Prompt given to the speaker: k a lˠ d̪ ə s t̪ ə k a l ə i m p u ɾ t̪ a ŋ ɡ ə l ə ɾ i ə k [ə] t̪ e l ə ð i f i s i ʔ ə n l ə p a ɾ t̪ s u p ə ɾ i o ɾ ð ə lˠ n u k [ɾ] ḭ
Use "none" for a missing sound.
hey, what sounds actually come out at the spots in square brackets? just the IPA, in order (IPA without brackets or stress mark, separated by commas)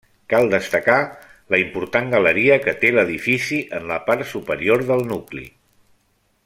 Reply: ə, l